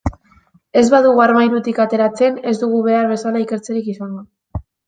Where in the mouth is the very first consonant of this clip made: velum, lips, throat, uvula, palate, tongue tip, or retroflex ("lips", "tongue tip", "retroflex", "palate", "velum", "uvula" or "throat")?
tongue tip